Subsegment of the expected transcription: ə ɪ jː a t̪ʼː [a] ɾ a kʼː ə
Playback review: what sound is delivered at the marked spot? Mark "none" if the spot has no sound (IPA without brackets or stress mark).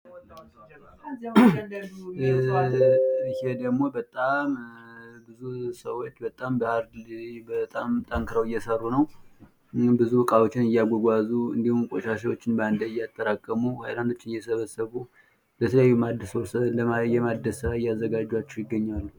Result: ə